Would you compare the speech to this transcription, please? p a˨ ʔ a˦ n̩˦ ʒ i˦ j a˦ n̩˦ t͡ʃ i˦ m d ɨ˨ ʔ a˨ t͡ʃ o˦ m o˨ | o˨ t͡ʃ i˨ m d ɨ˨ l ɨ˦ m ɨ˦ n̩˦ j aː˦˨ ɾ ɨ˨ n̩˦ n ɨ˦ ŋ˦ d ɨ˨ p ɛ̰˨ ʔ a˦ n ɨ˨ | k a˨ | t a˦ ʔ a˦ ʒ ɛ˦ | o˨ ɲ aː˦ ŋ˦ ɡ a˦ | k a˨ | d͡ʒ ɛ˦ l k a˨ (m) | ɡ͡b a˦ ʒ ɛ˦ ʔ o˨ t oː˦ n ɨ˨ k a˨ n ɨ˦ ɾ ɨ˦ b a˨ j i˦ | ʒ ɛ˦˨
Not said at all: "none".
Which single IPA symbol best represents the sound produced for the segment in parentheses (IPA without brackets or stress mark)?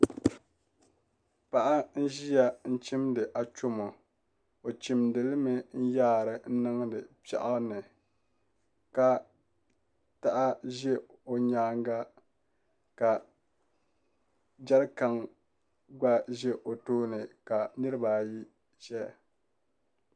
ŋ